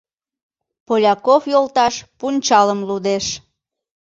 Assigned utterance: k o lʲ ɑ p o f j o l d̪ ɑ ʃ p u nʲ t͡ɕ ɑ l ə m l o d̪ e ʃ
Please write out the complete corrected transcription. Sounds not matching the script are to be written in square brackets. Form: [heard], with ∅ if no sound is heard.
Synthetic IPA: [p] o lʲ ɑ [k] o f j o l [t̪] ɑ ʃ p u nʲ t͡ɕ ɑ l ə m l [u] d̪ e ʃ